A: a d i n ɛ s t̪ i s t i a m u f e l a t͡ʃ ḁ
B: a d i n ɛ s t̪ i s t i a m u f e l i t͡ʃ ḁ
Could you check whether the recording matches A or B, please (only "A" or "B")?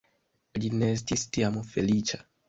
B